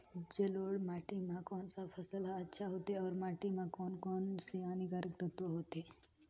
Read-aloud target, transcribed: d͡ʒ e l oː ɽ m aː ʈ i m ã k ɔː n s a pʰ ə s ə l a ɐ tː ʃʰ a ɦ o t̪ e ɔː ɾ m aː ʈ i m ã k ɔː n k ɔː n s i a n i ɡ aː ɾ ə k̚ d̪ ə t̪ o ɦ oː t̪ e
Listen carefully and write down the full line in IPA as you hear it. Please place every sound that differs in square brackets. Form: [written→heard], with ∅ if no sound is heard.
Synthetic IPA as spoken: d͡ʒ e l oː ɽ m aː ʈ i m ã k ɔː n s a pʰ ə s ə l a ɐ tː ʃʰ a ɦ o t̪ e ɔː ɾ m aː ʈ i m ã k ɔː n k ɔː n s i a n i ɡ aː ɾ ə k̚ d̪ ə t̪ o ɦ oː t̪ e